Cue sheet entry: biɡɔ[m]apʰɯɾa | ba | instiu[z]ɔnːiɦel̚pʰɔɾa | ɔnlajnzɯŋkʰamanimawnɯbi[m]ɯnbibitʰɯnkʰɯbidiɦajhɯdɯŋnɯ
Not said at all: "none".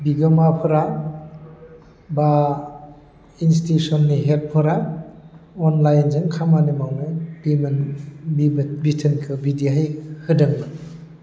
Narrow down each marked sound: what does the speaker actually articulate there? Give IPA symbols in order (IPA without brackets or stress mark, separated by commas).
m, s, m